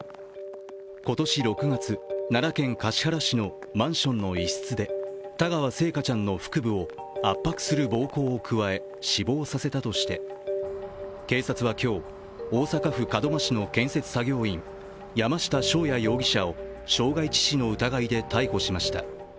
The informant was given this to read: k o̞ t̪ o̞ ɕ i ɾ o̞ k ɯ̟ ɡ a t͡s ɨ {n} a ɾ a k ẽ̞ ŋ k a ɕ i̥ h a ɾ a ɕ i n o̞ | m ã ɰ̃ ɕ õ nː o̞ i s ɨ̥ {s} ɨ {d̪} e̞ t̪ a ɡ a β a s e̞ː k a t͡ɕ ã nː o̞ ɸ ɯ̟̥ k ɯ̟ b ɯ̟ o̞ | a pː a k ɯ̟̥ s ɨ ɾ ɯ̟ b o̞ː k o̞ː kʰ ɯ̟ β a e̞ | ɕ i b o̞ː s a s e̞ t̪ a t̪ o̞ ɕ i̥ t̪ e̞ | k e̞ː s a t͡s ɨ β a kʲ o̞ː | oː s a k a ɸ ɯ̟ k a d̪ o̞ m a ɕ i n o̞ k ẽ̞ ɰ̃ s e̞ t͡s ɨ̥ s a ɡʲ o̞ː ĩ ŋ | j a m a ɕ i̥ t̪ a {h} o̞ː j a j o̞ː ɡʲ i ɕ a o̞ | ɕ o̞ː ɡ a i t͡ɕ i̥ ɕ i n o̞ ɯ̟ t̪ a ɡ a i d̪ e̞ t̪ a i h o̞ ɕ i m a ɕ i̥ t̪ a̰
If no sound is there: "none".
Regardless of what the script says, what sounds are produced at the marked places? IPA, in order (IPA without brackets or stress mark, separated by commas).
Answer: n, t͡s, d̪, ɕ